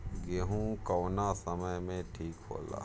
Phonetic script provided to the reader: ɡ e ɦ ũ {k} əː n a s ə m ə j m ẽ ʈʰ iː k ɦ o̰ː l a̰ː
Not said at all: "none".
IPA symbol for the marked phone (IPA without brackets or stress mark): k